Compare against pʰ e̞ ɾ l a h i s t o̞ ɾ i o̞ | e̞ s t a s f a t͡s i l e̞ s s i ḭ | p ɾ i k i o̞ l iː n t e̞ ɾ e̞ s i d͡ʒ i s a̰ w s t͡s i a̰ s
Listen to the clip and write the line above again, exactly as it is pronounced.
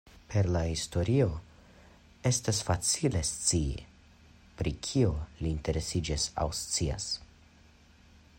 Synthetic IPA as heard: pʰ e̞ ɾ l a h i s t o̞ ɾ i o̞ | e̞ s t a s f a t͡s i l e̞ s t͡s i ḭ | p ɾ i kʰ i o̞ l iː n t e̞ ɾ e̞ s i d͡ʒ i s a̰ w s t͡s i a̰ s

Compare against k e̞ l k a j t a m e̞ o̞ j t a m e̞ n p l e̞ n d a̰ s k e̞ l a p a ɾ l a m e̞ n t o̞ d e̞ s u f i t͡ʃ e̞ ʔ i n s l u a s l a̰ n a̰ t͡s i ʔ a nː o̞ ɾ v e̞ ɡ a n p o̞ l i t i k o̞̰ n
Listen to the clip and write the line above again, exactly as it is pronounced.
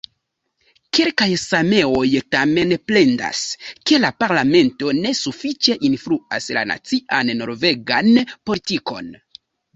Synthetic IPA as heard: k e̞ l k a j s a m e̞ o̞ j t a m e̞ n p l e̞ n d a̰ s k e̞ l a p a ɾ l a m e̞ n t o̞ n e̞ s u f i t͡ʃ e̞ ʔ i n f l u a s l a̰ n a̰ t͡s i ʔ a nː o̞ ɾ v e̞ ɡ a n p o̞ l i t i k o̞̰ n

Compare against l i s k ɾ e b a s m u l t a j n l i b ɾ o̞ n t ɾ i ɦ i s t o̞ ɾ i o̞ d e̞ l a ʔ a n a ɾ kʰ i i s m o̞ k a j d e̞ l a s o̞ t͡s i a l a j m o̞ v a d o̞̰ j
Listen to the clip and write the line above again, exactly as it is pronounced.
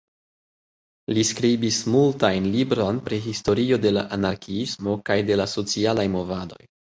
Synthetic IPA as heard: l i s k ɾ i b i s m u l t a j n l i b ɾ o̞ n p ɾ i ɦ i s t o̞ ɾ i o̞ d e̞ l a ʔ a n a ɾ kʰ i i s m o̞ k a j d e̞ l a s o̞ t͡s i a l a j m o̞ v a d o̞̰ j

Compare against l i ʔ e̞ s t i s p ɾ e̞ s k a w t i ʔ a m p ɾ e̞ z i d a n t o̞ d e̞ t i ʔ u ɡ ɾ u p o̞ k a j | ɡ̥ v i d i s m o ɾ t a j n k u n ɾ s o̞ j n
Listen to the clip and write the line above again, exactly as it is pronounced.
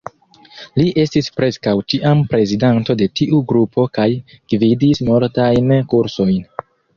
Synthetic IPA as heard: l i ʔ e̞ s t i s p ɾ e̞ s k a w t i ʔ a m p ɾ e̞ z i d a n t o̞ d e̞ t i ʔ u ɡ ɾ u p o̞ k a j | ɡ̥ v i d i s m o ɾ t a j n k u ɾ s o̞ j n

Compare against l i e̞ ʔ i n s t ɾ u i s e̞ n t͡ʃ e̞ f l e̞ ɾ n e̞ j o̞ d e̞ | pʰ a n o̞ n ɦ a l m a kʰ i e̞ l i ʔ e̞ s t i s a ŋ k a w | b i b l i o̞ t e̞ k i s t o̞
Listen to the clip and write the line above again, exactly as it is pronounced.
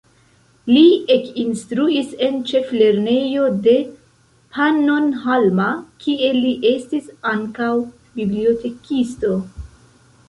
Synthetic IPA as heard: l i e̞ k i n s t ɾ u i s e̞ n t͡ʃ e̞ f l e̞ ɾ n e̞ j o̞ d e̞ | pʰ a n o̞ n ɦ a l m a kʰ i e̞ l i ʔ e̞ s t i s a ŋ k a w | b i b l i o̞ t e̞ k i s t o̞

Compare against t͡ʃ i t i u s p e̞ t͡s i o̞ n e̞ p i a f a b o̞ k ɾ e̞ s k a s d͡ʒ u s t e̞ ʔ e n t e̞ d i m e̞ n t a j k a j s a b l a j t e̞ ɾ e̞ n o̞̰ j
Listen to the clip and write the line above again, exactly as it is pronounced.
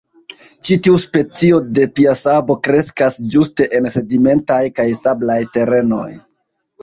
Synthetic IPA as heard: t͡ʃ i t i u s p e̞ t͡s i o̞ d e̞ p i a s a b o̞ k ɾ e̞ s k a s d͡ʒ u s t e̞ ʔ e n s e̞ d i m e̞ n t a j k a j s a b l a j t e̞ ɾ e̞ n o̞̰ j

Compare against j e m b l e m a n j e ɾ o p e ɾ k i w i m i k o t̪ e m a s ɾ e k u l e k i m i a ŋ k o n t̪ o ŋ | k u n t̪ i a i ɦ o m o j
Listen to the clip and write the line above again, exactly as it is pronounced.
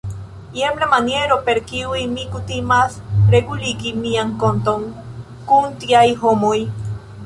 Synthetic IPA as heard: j e m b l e m a n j e ɾ o p e ɾ k i w i m i k u t̪ i m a s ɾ e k u l i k i m i a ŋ k o n t̪ o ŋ | k u n t̪ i a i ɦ o m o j

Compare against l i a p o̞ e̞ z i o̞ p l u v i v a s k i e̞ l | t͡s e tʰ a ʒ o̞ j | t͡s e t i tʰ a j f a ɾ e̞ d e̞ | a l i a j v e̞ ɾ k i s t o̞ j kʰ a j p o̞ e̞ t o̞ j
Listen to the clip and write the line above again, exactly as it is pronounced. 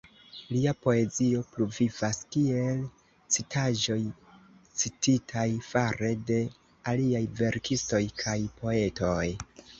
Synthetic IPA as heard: l i a p o̞ e̞ z i o̞ p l u v i v a s k i e̞ l | t͡s i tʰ a ʒ o̞ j | t͡s i t i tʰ a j f a ɾ e̞ d e̞ | a l i a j v e̞ ɾ k i s t o̞ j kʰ a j p o̞ e̞ t o̞ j

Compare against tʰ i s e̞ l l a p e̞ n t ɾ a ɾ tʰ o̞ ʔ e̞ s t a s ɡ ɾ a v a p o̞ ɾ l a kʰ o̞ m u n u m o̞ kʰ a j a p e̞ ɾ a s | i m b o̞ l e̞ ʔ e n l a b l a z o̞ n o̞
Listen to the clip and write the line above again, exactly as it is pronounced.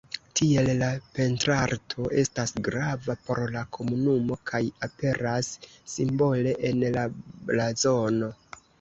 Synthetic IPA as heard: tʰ i e̞ l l a p e̞ n t ɾ a ɾ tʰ o̞ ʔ e̞ s t a s ɡ ɾ a v a p o̞ ɾ l a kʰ o̞ m u n u m o̞ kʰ a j a p e̞ ɾ a sː | i m b o̞ l e̞ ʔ e n l a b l a z o̞ n o̞

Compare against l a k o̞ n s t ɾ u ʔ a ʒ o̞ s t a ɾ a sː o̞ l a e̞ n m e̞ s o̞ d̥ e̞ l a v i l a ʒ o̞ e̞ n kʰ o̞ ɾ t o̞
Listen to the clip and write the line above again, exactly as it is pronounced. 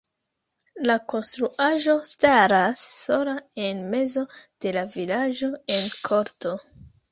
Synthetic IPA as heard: l a k o̞ n s t ɾ u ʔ a ʒ o̞ s t a ɾ a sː o̞ l a e̞ n m e̞ z o̞ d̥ e̞ l a v i l a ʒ o̞ e̞ n kʰ o̞ ɾ t o̞

